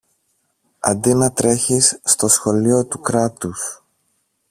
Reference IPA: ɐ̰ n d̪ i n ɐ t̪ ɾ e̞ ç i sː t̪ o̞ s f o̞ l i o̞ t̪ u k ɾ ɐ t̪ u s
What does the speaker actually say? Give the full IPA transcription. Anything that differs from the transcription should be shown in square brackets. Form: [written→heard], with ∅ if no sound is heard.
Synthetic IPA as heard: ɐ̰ n d̪ i n ɐ t̪ ɾ e̞ ç i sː t̪ o̞ s [f→x] o̞ l i o̞ t̪ u k ɾ ɐ t̪ u s